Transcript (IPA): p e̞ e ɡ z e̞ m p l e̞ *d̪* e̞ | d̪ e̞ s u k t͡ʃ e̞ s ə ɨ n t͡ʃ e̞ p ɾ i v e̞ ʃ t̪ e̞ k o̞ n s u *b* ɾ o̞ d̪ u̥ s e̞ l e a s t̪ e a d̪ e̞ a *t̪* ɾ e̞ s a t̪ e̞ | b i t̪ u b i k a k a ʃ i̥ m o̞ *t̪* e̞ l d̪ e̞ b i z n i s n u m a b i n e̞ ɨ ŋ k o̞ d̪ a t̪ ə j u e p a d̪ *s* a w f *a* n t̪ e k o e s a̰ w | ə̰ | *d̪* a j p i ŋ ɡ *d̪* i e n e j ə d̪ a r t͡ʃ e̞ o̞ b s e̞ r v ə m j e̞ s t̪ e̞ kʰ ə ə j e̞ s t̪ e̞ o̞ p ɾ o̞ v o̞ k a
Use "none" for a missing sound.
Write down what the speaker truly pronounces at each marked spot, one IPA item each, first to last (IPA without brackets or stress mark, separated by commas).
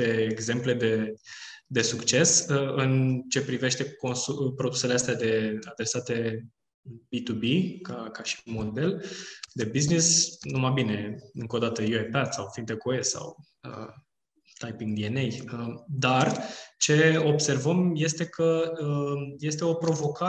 d̪, p, d̪, d̪, s, i, t̪, d̪